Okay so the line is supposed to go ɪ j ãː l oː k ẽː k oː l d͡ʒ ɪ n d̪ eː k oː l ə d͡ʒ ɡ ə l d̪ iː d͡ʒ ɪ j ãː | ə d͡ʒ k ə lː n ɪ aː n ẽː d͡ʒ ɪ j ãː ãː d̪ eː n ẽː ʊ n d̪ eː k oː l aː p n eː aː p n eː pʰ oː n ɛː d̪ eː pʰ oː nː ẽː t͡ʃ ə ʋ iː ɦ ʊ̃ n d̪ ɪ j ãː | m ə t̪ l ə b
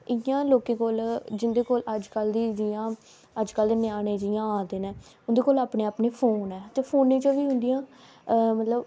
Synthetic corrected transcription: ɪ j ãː l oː k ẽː k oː l d͡ʒ ɪ n d̪ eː k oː l ə d͡ʒ k ə l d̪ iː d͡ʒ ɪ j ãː | ə d͡ʒ k ə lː n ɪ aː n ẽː d͡ʒ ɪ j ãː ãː d̪ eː n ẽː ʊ n d̪ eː k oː l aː p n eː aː p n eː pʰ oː n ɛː t̪ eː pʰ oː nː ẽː t͡ʃ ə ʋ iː ɦ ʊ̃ n d̪ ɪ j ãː | m ə t̪ l ə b